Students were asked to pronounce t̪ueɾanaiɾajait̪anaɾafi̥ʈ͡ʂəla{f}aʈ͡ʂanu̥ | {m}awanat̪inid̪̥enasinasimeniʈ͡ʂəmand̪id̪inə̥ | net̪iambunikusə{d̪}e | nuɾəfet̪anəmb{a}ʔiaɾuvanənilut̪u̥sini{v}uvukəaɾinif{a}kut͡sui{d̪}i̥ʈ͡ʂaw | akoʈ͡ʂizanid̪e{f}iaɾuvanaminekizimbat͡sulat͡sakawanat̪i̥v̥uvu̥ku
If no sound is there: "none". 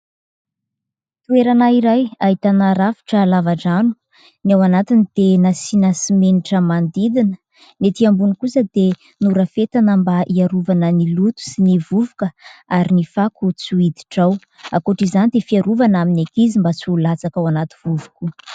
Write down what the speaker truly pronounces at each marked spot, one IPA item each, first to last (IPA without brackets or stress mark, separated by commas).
v, n, d̪, a, v, a, d̪, f